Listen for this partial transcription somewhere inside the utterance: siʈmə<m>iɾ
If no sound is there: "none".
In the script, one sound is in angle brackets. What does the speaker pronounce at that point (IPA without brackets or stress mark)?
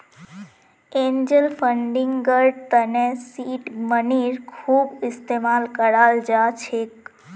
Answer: n